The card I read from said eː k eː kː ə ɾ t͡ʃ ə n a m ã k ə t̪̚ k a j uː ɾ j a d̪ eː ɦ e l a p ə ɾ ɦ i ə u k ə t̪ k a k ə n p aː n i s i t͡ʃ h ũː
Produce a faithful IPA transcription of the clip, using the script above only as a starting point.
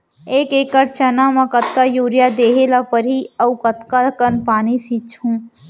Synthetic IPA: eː k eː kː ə ɾ t͡ʃ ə n a m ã k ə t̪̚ k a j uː ɾ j a d̪ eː ɦ e l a p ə ɾ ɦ i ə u k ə t̪ k a k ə n p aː n i s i t͡ʃ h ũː